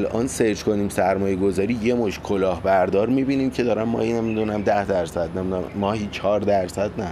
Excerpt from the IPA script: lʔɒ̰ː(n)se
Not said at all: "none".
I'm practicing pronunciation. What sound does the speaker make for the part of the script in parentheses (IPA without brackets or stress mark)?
n